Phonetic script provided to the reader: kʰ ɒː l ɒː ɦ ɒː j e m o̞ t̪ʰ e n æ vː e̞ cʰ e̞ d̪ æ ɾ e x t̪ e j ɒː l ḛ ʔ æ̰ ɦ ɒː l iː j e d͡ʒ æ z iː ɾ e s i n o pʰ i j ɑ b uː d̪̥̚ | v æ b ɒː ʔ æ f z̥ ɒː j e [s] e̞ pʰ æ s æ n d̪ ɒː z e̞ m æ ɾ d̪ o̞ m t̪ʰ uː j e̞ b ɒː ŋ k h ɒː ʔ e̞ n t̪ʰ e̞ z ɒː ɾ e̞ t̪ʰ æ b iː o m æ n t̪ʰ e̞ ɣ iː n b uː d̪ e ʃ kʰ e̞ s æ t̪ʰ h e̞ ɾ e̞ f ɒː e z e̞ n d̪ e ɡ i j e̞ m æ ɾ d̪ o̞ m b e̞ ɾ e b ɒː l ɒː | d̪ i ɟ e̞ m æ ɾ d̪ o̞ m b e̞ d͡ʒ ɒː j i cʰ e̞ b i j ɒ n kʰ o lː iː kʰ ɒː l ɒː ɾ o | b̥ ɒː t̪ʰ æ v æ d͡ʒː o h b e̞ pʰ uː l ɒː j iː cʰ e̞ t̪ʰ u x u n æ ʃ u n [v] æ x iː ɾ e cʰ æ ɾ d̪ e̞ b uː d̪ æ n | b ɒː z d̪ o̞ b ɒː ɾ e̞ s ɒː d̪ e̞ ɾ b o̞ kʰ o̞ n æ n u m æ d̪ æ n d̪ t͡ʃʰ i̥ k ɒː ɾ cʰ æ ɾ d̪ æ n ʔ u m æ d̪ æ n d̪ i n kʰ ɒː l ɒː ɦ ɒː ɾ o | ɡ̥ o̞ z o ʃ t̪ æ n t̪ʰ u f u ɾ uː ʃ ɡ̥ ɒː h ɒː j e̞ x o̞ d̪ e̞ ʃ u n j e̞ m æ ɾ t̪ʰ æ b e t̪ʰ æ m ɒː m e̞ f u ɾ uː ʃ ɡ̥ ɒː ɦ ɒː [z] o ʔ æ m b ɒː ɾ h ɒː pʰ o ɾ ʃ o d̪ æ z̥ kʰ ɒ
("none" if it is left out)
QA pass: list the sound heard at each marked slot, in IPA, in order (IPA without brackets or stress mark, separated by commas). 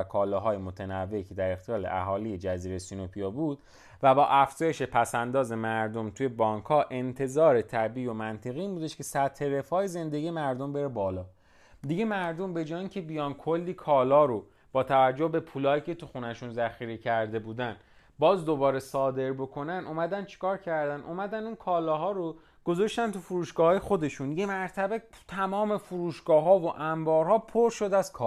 ʃ, z, v